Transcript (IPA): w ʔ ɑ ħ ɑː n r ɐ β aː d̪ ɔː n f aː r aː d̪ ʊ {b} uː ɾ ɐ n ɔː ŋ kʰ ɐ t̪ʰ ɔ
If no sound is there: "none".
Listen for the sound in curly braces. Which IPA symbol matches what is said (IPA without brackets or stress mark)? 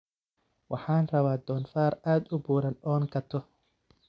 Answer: b